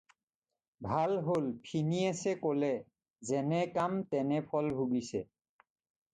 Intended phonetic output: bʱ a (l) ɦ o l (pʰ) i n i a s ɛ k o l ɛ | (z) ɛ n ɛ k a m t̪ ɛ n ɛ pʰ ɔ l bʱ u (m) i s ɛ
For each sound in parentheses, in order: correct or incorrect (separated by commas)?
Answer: correct, correct, correct, incorrect